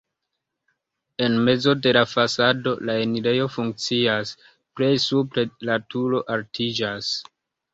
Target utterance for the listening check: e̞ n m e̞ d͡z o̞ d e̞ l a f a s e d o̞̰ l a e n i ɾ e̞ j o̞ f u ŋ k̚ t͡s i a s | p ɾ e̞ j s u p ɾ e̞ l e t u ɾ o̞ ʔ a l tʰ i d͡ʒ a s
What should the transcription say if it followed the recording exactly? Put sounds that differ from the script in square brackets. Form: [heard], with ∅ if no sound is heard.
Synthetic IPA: e̞ n m e̞ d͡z o̞ d e̞ l a f a s [a] d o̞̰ l a e n i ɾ e̞ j o̞ f u ŋ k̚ t͡s i a s | p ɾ e̞ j s u p ɾ e̞ l [a] t u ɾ o̞ ʔ a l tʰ i d͡ʒ a s